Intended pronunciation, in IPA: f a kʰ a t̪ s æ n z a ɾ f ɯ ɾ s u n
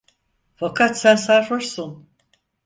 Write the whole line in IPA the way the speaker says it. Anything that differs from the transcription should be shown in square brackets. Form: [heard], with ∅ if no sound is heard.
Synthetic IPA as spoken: f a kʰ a t̪ s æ n [s] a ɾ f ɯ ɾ s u n